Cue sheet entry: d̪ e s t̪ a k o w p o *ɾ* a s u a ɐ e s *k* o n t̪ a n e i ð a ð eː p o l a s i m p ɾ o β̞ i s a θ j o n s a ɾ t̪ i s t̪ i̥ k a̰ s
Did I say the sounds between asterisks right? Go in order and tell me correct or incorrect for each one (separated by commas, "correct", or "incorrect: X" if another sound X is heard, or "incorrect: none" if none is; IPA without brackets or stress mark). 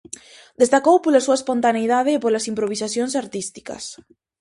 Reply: incorrect: l, incorrect: p